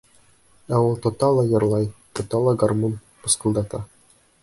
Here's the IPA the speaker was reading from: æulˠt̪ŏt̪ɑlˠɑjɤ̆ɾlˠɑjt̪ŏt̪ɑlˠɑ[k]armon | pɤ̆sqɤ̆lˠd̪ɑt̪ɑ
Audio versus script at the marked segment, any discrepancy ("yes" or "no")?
yes